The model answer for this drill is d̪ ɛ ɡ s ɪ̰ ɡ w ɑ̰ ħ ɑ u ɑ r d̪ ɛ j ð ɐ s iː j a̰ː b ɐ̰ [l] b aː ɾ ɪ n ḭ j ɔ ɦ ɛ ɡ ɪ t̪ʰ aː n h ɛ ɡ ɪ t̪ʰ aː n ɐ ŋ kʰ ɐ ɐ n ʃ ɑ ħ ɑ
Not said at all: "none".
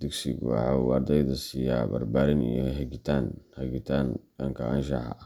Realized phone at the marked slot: r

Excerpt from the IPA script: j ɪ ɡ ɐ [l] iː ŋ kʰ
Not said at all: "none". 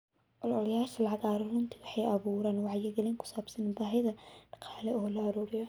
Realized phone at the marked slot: l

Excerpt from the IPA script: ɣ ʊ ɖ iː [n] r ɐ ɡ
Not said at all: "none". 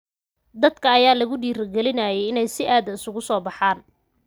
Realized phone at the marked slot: none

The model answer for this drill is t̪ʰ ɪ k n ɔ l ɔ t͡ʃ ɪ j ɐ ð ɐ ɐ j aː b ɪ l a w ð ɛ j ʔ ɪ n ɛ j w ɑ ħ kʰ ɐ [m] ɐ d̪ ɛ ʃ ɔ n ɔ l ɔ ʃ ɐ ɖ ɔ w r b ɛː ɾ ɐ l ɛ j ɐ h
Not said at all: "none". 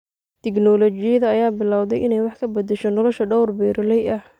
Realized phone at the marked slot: b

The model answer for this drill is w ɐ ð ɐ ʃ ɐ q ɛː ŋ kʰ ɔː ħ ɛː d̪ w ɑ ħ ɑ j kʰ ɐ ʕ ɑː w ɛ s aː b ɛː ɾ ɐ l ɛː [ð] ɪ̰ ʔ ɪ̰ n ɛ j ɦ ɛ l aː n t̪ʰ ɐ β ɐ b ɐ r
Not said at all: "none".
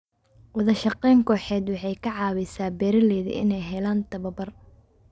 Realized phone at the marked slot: ð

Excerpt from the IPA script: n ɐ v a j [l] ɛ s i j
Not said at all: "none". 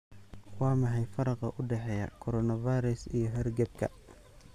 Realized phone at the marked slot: ɾ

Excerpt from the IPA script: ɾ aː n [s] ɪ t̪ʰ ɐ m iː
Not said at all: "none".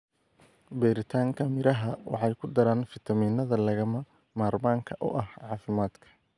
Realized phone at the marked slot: f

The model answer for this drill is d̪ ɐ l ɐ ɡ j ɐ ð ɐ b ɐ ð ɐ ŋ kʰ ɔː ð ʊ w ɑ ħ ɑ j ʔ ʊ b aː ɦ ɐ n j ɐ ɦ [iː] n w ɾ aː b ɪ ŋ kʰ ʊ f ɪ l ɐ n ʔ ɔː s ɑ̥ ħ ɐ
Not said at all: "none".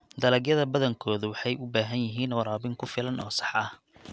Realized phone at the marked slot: iː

